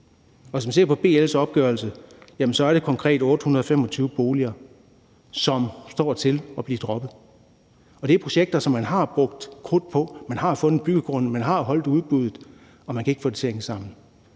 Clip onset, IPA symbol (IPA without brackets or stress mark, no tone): ɒ